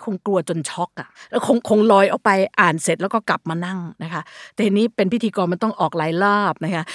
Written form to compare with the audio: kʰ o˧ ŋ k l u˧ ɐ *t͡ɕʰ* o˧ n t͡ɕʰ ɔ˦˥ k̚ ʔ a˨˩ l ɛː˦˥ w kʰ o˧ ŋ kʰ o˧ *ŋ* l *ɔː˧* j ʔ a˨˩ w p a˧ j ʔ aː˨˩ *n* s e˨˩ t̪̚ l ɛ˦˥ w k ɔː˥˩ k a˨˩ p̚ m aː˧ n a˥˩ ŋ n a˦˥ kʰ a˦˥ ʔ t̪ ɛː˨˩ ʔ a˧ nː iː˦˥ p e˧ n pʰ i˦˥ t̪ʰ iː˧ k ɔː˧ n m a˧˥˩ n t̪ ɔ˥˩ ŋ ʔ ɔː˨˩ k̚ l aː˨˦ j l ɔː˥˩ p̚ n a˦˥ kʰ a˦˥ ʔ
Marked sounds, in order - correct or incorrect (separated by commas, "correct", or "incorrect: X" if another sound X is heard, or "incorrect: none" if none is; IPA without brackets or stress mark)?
incorrect: t͡ɕ, correct, correct, correct